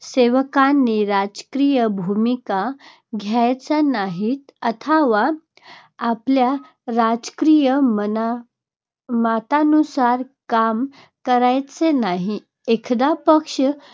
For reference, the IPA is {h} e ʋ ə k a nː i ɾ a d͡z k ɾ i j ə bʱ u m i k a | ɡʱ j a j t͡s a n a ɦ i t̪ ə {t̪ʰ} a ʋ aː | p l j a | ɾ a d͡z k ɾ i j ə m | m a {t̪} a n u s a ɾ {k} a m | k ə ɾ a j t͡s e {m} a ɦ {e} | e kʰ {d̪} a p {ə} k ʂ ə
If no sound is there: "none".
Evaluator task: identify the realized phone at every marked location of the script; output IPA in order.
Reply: s, t̪ʰ, t̪, k, n, i, d̪, ə

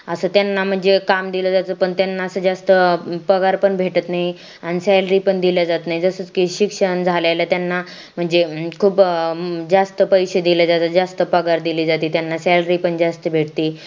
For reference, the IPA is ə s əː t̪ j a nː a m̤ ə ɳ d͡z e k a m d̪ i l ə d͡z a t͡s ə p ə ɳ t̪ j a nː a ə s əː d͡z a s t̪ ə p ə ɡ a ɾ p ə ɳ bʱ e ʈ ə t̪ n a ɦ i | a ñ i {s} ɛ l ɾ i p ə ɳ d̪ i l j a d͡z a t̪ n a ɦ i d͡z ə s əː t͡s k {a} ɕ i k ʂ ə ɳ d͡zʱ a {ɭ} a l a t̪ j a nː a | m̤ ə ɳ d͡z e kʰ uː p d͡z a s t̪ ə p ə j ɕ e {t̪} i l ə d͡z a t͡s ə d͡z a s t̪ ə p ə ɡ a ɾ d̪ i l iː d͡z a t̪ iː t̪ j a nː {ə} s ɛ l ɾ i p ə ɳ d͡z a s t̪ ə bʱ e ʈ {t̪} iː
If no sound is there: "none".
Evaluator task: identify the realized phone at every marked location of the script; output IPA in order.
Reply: s, i, l, d̪, a, t̪

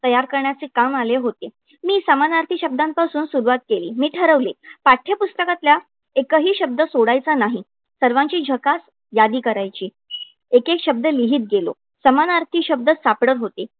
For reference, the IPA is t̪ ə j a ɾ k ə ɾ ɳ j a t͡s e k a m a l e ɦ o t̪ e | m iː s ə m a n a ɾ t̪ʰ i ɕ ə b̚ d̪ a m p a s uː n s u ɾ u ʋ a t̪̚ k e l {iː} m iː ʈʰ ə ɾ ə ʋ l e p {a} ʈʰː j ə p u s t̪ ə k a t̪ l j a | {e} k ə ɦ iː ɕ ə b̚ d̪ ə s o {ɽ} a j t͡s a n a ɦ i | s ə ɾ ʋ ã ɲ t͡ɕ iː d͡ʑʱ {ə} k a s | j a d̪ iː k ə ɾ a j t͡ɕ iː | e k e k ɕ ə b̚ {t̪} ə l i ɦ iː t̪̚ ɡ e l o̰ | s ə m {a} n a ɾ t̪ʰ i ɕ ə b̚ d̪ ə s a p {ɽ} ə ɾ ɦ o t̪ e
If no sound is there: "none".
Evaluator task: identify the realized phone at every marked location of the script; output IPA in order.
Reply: iː, a, e, ɽ, ə, d̪, a, ɽ

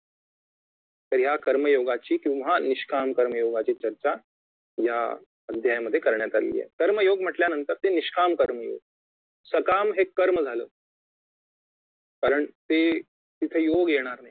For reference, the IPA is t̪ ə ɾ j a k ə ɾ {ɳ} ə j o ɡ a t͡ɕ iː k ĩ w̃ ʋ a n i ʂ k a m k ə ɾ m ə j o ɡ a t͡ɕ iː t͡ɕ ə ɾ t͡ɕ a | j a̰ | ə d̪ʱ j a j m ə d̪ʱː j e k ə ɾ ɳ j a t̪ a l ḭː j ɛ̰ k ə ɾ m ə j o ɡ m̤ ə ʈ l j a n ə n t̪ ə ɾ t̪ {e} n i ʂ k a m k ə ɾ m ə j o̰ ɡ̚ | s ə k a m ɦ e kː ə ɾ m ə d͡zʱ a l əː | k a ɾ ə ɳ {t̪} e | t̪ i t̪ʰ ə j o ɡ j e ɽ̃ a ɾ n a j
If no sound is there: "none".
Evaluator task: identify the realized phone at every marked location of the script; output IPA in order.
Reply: m, e, t̪

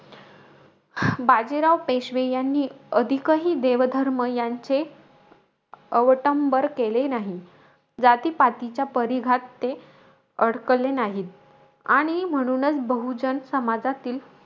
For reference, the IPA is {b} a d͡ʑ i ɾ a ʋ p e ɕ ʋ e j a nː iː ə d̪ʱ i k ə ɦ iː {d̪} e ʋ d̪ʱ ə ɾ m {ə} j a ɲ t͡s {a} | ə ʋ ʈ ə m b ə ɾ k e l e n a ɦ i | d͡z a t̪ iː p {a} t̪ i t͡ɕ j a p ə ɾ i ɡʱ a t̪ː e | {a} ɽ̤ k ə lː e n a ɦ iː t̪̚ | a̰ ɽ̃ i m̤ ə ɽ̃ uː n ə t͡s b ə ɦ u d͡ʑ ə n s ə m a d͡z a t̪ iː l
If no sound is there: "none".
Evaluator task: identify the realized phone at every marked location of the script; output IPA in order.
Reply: b, d̪, ə, e, a, ə

